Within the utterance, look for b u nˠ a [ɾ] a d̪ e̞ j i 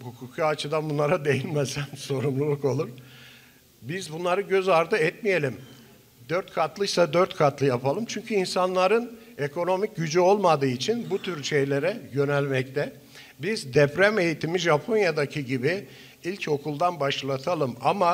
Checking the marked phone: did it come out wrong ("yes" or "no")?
no